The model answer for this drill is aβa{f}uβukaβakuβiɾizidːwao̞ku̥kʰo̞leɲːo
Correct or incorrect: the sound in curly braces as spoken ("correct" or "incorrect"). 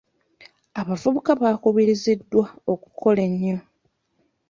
incorrect